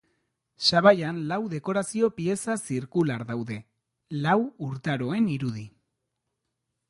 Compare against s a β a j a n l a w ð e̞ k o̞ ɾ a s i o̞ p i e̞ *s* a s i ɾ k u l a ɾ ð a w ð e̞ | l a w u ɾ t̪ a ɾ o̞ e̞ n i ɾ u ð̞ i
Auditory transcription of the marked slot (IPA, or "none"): s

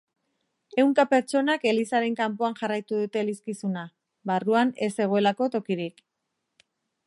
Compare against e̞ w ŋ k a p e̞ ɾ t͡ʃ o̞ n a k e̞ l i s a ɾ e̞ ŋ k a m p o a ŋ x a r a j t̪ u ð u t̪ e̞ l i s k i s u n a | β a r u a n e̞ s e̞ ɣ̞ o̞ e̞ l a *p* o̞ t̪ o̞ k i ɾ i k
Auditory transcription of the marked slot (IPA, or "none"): k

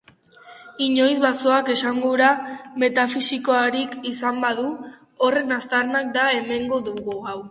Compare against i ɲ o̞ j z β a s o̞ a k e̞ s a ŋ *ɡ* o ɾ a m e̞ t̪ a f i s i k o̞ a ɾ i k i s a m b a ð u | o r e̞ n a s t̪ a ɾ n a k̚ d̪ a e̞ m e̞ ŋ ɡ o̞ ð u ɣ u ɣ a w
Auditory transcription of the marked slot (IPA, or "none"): ɡ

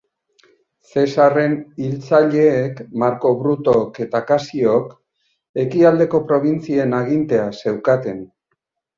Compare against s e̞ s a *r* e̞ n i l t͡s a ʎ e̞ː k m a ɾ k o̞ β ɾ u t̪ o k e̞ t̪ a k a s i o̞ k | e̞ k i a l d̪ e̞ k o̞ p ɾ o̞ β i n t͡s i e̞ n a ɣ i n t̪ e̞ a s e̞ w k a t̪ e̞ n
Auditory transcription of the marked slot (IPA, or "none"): r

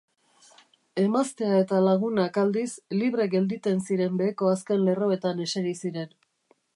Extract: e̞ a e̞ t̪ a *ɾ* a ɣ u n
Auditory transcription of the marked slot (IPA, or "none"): l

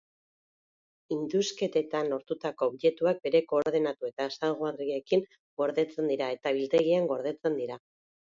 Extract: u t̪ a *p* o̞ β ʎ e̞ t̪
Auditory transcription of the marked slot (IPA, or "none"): k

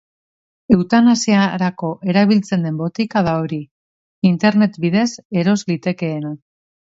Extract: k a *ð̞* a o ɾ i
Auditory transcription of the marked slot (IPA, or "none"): ð̞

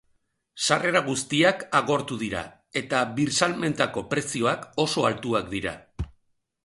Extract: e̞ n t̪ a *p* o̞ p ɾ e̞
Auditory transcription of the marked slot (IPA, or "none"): k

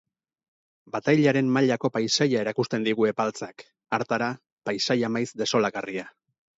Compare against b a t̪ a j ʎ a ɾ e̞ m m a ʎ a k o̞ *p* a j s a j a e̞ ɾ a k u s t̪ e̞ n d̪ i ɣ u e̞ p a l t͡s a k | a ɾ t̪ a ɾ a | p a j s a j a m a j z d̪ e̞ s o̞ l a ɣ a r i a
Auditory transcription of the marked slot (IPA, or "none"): p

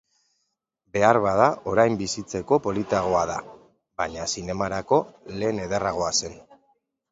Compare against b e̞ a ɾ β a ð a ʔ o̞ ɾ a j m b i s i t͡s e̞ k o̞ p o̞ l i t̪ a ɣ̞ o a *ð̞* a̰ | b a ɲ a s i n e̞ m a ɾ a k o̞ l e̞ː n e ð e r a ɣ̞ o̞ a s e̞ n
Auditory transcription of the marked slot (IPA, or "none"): ð̞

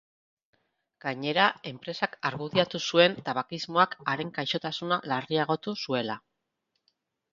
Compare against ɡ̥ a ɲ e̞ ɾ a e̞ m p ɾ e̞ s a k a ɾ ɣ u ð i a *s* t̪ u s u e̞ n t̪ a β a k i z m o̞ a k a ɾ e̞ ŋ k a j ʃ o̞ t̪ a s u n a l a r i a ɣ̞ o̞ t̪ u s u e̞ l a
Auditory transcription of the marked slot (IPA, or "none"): none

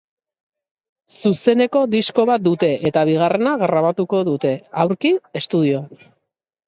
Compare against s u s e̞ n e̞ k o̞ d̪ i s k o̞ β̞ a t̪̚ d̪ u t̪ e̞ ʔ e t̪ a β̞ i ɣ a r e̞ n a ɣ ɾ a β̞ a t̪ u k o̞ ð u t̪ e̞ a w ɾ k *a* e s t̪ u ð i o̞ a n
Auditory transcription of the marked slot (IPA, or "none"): i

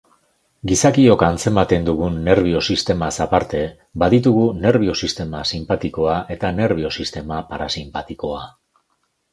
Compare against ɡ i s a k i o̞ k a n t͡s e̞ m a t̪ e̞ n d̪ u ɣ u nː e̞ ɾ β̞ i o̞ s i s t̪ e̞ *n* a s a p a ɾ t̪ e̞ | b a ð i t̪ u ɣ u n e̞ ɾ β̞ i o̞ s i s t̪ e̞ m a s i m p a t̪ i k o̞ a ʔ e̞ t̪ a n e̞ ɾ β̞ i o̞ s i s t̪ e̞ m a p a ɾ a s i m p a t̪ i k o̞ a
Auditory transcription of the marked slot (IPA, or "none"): m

